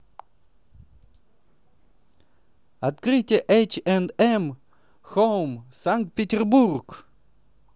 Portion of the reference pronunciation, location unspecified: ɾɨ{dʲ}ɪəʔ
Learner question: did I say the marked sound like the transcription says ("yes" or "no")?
no